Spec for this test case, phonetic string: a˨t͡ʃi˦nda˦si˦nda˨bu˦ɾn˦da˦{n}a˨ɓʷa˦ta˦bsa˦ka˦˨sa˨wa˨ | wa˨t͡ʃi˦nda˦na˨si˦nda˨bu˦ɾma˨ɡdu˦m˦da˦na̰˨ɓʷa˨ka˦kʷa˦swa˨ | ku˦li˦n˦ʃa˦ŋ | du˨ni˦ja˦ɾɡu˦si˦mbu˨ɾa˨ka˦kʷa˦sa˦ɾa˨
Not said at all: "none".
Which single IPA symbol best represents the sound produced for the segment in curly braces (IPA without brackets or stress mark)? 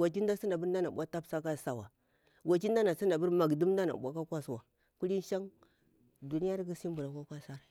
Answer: n